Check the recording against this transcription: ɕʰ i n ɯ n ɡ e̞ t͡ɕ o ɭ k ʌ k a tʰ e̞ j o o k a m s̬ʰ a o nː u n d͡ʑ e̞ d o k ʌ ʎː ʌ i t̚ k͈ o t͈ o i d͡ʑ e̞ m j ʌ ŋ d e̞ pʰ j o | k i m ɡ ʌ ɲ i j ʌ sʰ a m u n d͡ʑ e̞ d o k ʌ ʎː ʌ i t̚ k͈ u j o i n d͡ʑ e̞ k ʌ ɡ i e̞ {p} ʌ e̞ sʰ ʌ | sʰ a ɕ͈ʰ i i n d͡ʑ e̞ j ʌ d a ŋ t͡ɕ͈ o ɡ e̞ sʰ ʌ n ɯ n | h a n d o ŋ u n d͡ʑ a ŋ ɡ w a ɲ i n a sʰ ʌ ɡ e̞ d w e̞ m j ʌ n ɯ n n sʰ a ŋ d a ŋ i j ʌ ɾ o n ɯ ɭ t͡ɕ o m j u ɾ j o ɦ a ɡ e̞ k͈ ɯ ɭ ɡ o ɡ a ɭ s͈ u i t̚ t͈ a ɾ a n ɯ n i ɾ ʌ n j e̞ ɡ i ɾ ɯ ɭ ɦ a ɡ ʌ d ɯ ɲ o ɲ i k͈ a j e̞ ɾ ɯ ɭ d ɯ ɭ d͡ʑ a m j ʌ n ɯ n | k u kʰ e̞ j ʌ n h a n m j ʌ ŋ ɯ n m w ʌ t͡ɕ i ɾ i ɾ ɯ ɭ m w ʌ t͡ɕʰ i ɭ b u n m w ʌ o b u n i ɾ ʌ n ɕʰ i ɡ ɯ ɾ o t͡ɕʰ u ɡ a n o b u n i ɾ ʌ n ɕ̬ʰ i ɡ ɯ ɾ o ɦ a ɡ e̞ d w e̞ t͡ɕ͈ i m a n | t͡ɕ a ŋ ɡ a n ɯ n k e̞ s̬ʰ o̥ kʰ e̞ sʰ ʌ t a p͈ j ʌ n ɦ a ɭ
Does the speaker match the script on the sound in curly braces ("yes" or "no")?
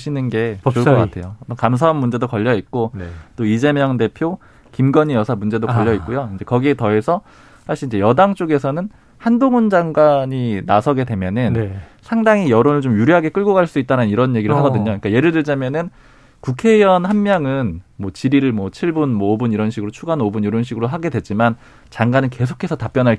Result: no